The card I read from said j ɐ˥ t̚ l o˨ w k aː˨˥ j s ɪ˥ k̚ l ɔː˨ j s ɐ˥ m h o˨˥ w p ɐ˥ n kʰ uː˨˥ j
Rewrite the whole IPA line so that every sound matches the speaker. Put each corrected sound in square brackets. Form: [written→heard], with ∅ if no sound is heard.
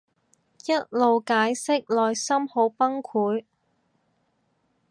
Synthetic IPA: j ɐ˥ t̚ l o˨ w k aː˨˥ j s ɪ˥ k̚ l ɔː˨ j s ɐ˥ m h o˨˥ w p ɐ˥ [n→ŋ] kʰ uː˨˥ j